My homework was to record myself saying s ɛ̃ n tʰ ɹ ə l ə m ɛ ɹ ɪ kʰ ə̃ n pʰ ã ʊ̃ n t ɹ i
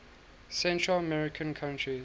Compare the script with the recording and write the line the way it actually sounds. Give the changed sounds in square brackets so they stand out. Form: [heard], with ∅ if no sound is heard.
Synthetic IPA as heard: s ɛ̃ n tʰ ɹ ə l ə m ɛ ɹ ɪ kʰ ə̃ n [kʰ] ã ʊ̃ n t ɹ i